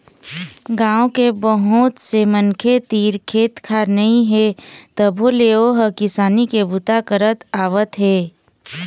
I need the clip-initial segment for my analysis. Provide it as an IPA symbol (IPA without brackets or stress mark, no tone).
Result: ɡ